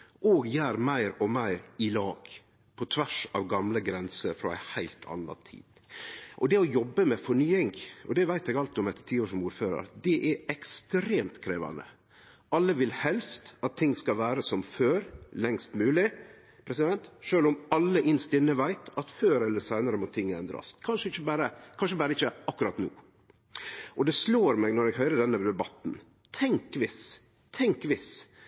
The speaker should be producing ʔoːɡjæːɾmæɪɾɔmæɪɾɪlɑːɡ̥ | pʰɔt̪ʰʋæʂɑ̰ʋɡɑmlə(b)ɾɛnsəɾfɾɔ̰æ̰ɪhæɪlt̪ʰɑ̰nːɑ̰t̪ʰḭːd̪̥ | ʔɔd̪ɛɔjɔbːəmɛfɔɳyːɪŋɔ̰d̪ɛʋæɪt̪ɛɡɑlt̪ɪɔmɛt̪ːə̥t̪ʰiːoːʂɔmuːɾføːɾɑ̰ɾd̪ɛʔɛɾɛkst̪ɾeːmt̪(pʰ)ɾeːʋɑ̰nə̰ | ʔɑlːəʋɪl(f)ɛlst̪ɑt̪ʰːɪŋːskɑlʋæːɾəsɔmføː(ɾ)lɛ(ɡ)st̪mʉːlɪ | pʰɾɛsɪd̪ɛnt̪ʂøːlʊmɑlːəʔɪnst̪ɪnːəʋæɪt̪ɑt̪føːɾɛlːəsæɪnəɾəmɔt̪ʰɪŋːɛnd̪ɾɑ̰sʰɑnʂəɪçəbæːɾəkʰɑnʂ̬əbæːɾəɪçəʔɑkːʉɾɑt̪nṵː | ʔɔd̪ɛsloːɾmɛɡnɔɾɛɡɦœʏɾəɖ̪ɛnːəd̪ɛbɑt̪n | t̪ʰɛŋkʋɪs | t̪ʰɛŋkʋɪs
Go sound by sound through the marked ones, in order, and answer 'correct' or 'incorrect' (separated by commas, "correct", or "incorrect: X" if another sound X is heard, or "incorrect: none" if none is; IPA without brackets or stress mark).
incorrect: ɡ, incorrect: kʰ, incorrect: h, correct, incorrect: ŋ